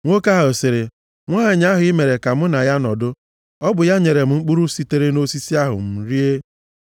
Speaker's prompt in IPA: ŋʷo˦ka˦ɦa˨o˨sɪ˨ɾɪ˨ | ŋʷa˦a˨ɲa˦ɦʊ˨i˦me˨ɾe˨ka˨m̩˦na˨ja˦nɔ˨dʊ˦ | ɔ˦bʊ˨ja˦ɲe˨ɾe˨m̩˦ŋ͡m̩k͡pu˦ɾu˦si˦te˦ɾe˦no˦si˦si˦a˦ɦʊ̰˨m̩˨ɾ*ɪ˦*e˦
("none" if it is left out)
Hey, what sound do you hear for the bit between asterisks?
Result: i˦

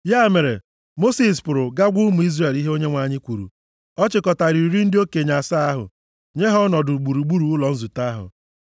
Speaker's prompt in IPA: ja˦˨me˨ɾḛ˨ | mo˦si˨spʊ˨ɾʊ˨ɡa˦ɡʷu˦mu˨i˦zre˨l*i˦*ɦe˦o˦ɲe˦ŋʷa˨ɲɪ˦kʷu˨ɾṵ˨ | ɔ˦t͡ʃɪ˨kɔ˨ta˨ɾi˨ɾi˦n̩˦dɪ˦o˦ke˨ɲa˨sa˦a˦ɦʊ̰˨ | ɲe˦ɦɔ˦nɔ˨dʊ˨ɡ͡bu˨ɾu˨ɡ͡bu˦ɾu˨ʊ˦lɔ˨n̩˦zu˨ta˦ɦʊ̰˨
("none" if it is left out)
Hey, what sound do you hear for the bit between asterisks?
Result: i˦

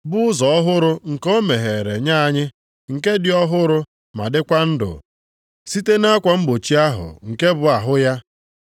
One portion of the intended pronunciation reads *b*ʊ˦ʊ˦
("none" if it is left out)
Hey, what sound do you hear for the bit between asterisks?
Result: b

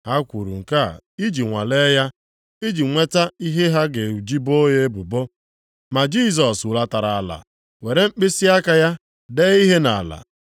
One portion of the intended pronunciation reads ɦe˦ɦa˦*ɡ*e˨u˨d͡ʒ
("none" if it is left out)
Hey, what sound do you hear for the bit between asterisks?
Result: ɡ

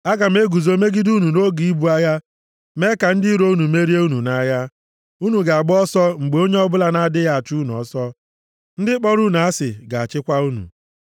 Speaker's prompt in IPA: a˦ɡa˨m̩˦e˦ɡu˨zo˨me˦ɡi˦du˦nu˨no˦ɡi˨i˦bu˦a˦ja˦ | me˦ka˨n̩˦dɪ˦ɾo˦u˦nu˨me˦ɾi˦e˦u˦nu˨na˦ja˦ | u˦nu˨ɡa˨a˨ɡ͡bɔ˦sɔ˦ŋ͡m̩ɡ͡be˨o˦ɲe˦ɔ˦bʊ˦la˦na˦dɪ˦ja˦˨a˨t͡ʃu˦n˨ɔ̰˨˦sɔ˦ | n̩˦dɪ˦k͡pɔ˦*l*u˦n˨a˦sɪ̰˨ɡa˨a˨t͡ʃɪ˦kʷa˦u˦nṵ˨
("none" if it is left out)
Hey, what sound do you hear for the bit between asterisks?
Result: ɾ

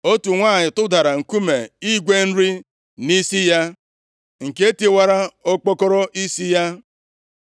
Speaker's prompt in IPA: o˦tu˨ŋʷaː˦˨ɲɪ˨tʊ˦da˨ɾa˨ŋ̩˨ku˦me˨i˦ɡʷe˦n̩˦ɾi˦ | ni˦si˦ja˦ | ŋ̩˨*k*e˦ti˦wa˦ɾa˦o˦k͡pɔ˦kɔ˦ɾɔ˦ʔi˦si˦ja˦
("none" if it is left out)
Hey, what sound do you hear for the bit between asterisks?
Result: k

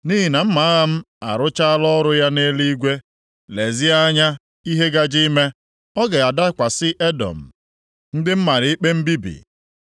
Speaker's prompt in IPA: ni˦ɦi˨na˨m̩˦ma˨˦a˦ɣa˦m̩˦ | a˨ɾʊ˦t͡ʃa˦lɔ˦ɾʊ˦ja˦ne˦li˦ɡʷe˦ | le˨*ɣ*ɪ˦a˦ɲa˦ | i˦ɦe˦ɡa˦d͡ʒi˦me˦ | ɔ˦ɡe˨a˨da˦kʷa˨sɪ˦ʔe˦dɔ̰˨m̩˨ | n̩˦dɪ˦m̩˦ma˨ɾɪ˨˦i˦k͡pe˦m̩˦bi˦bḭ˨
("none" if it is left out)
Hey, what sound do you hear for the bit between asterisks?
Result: z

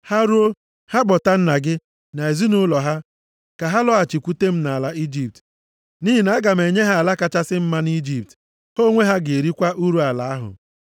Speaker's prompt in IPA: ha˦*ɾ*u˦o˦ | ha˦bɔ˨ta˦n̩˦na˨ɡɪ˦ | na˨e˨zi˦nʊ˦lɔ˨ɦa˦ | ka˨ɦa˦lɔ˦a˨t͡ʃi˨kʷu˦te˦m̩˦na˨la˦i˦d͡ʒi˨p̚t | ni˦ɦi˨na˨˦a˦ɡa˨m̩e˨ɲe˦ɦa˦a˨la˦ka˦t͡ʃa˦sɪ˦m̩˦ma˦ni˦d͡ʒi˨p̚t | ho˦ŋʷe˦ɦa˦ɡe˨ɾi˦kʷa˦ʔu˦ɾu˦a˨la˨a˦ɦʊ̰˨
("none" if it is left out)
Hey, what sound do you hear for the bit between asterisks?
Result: ɾ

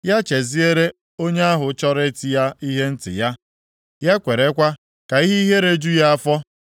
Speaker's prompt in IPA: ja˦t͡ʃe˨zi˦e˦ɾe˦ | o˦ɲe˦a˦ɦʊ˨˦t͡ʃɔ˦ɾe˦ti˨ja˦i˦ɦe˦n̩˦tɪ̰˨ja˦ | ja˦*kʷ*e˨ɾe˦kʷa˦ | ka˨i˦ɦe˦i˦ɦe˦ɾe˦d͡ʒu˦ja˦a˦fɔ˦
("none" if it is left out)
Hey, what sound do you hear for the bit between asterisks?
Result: kʷ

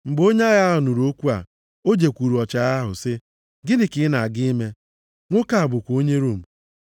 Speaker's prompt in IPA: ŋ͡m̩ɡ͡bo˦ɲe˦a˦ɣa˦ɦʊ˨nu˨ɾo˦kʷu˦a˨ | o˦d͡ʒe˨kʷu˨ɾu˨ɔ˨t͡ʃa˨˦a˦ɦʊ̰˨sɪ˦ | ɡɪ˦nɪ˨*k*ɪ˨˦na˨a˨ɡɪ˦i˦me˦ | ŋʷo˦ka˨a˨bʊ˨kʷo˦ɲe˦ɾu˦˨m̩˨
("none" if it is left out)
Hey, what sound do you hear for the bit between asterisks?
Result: k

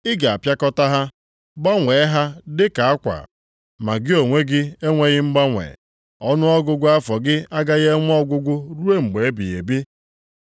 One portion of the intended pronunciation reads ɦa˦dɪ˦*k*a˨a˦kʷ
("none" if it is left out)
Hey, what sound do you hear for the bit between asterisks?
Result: k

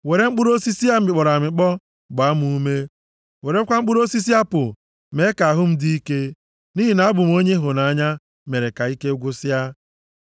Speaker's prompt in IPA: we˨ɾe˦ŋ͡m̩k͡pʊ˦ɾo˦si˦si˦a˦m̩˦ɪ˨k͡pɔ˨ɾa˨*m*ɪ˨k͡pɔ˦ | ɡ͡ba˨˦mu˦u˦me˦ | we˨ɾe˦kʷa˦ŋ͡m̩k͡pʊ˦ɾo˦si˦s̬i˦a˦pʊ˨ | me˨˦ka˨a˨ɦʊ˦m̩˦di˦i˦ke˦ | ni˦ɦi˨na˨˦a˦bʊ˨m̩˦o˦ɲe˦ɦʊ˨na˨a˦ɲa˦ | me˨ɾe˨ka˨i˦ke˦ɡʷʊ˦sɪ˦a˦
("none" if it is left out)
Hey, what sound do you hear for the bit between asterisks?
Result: m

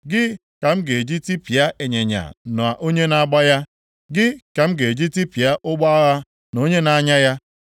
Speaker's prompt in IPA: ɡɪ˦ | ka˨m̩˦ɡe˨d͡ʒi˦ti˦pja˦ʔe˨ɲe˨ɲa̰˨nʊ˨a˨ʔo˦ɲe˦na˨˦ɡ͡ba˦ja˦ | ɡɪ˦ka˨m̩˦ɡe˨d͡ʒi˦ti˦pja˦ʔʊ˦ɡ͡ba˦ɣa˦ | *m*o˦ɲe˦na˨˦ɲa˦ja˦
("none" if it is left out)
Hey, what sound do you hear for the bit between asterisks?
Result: n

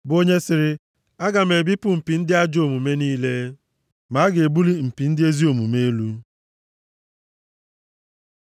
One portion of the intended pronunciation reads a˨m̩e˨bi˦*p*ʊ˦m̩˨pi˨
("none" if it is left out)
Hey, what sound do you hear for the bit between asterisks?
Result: p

